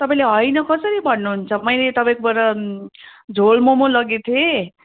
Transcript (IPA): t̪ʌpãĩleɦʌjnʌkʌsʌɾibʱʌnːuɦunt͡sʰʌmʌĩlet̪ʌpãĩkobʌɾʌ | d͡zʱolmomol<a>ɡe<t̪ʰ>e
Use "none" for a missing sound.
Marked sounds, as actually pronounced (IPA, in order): ʌ, t̪ʰ

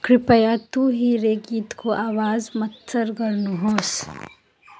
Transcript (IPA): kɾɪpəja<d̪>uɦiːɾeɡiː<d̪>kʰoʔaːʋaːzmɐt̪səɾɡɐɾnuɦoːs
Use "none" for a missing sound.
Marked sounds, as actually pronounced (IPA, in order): t̪, t̪

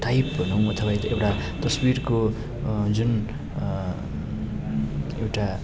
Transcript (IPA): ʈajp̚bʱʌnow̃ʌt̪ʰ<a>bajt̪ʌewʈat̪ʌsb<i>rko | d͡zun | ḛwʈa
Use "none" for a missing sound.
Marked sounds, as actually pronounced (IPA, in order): ʌ, i

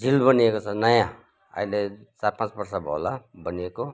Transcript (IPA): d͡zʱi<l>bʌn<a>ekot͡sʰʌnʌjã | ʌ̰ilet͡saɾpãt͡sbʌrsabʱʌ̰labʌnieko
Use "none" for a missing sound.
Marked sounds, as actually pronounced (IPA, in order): l, i

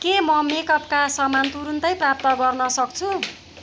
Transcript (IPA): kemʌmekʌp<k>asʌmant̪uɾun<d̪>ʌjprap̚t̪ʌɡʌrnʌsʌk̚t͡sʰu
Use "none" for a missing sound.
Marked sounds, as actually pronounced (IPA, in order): k, t̪

